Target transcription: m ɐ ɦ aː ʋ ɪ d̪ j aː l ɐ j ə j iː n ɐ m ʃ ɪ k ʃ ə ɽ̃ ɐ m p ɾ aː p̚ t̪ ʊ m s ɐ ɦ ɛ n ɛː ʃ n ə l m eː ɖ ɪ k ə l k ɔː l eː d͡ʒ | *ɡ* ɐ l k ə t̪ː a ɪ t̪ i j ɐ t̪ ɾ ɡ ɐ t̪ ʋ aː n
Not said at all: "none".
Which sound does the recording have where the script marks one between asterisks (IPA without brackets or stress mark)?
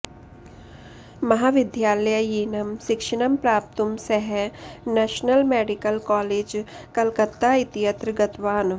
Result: k